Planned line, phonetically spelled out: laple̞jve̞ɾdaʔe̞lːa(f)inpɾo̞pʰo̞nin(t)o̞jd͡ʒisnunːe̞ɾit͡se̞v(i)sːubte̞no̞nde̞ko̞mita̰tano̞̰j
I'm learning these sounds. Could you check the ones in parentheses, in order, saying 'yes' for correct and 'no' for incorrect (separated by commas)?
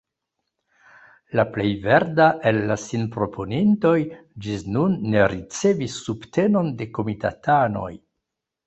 no, yes, yes